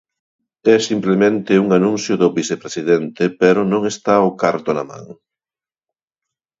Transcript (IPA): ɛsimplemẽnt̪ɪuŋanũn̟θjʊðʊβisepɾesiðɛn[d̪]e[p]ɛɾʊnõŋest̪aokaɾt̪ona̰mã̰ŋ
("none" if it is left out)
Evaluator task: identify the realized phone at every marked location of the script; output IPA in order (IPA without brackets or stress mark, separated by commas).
t̪, p